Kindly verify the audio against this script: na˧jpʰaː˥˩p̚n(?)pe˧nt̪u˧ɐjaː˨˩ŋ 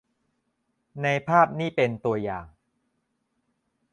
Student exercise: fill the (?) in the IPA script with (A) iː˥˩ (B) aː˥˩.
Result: A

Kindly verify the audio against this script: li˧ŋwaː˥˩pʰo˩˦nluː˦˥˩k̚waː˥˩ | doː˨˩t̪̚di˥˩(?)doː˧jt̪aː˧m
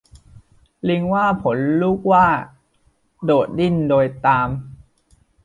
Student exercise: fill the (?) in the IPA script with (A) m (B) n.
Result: B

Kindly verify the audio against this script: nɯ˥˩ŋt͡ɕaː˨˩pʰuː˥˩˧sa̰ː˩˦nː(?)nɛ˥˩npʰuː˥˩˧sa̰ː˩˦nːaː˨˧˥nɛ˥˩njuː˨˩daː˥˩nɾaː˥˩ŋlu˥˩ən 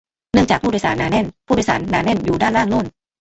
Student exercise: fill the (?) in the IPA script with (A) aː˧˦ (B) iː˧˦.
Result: A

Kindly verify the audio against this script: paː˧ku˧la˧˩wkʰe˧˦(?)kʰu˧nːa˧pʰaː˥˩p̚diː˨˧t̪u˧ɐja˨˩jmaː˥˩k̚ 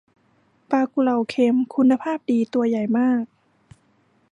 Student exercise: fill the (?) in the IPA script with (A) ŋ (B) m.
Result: B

